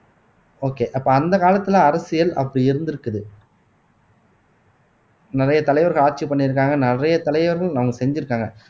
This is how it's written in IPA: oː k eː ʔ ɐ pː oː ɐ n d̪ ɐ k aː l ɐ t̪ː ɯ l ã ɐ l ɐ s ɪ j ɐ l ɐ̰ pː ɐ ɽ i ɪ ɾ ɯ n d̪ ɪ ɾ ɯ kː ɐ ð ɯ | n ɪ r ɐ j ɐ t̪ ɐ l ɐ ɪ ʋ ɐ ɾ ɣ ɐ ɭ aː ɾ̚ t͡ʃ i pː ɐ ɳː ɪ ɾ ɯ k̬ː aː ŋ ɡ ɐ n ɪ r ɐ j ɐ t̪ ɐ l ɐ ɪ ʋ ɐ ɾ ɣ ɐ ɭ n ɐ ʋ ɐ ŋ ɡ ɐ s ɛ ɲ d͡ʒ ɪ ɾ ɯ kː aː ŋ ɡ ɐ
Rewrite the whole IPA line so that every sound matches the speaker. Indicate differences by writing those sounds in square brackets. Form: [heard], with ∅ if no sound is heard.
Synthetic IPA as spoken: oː k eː ʔ ɐ pː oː ɐ n d̪ ɐ k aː l ɐ t̪ː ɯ l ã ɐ [ɾ] ɐ s ɪ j ɐ l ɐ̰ pː ɐ ɽ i ɪ ɾ ɯ n d̪ ɪ ɾ ɯ kː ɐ ð ɯ | n ɪ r ɐ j ɐ t̪ ɐ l ɐ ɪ ʋ ɐ ɾ ɣ ɐ ɭ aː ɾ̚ t͡ʃ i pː ɐ ɳː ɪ ɾ ɯ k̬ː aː ŋ ɡ ɐ n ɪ r ɐ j ɐ t̪ ɐ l ɐ ɪ ʋ ɐ ɾ ɣ ɐ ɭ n ɐ ʋ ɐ ŋ ɡ ɐ s ɛ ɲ d͡ʒ ɪ ɾ ɯ kː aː ŋ ɡ ɐ

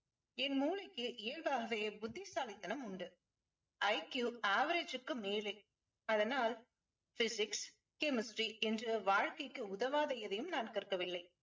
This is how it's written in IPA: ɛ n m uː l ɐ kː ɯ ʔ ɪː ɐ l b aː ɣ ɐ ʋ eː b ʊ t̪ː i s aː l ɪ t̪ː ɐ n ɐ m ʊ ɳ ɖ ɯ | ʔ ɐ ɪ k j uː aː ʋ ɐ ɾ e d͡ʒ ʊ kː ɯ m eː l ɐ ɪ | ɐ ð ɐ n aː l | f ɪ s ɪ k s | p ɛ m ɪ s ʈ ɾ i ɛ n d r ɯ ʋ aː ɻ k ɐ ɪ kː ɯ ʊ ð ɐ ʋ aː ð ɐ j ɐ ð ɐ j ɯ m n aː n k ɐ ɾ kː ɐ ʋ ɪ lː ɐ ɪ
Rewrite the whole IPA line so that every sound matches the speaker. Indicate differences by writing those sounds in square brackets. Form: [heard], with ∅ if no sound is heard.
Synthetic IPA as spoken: ɛ n m uː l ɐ kː ɯ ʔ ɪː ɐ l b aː ɣ ɐ ʋ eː b ʊ [d̪ː] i s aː l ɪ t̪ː ɐ n ɐ m ʊ ɳ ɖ ɯ | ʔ ɐ ɪ k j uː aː ʋ ɐ ɾ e d͡ʒ [ɯ] kː ɯ m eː l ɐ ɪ | ɐ ð ɐ n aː l | f ɪ s ɪ k s | [k] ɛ m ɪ s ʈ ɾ i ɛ n d r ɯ ʋ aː ɻ k ɐ ɪ kː ɯ ʊ ð ɐ ʋ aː ð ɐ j ɐ ð ɐ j ɯ m n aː n k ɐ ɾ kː ɐ ʋ ɪ lː ɐ ɪ

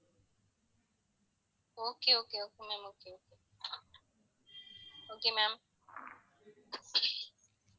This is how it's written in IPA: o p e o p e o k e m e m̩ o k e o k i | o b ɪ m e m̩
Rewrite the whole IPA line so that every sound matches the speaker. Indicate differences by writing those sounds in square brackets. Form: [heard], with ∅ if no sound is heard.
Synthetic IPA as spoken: o [k] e o [k] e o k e m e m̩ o k e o k [e] | o [ɡ] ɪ m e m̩

